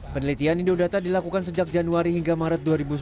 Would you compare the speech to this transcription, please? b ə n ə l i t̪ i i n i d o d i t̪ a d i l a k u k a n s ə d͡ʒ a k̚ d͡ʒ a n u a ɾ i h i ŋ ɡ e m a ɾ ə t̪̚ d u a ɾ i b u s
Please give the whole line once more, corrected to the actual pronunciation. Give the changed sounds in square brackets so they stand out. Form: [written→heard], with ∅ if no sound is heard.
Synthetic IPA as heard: [b→p] ə n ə l i t̪ i [i→a] n i d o d [i→a] t̪ a d i l a k u k a n s ə d͡ʒ a k̚ d͡ʒ a n u a ɾ i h i ŋ ɡ [e→a] m a ɾ ə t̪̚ d u a ɾ i b u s